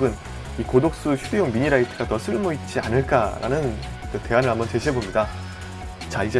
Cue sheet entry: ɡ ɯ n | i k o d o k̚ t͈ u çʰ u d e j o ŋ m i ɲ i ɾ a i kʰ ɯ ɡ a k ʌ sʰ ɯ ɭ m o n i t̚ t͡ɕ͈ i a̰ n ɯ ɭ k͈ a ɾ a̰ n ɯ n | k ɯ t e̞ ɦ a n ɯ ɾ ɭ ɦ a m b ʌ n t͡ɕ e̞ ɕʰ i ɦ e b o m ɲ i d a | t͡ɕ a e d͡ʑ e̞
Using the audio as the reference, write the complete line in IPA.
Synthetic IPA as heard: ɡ ɯ n | i k o d o k̚ s͈ u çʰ u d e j o ŋ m i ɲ i ɾ a i tʰ ɯ ɡ a t ʌ sʰ ɯ ɭ m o i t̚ t͡ɕ͈ i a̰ n ɯ ɭ k͈ a ɾ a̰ n ɯ n | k ɯ t e̞ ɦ a n ɯ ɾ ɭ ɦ a m b ʌ n t͡ɕ e̞ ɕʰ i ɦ e b o m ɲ i d a | t͡ɕ a i d͡ʑ e̞